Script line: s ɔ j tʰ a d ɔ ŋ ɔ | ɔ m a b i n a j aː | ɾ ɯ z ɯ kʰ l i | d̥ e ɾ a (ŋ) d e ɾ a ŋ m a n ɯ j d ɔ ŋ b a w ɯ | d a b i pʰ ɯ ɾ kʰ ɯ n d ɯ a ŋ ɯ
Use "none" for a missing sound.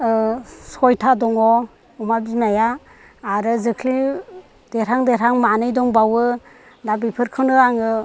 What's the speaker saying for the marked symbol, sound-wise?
ŋ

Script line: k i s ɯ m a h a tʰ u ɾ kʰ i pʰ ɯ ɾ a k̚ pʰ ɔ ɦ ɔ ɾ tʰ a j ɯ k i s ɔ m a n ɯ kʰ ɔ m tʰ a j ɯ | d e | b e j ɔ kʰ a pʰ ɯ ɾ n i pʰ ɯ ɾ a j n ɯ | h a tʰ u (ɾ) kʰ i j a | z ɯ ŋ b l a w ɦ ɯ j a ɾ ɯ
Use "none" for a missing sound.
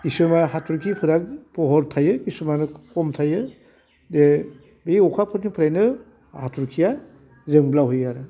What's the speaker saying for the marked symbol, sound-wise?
ɾ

